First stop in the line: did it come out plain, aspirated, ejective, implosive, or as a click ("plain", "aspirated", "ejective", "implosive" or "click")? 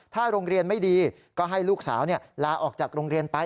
aspirated